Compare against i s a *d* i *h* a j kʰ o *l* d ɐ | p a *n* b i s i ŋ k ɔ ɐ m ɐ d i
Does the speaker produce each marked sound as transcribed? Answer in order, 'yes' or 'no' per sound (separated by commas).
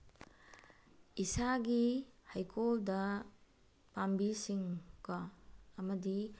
no, yes, yes, no